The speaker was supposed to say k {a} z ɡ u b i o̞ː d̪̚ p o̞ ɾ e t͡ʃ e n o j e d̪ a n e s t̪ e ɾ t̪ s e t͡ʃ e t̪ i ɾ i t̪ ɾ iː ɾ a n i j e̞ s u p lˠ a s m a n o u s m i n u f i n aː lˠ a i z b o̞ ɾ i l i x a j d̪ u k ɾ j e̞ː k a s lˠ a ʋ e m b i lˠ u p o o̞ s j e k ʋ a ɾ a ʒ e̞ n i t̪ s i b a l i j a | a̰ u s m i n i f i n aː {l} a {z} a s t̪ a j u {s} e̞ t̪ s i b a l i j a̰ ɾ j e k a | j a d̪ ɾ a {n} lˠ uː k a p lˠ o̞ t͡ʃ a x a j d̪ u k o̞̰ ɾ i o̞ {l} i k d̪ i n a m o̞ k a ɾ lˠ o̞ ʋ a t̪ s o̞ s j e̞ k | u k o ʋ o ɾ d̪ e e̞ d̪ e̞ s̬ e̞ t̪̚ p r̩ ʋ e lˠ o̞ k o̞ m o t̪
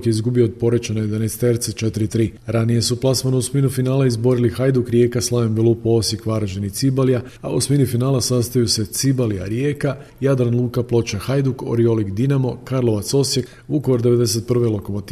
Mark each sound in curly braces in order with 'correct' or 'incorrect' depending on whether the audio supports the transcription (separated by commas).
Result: incorrect, correct, incorrect, correct, correct, correct